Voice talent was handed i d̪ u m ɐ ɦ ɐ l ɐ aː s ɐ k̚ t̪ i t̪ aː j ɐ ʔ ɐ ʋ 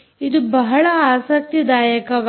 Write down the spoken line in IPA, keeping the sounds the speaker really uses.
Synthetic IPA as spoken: i d̪ u b ɐ ɦ ɐ ɭ ɐ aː s ɐ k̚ t̪ i d̪ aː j ɐ k ɐ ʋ